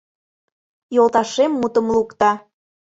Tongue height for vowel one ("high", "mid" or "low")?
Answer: mid